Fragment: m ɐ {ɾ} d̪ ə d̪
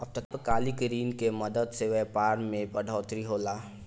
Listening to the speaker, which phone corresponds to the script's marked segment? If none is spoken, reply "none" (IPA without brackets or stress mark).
none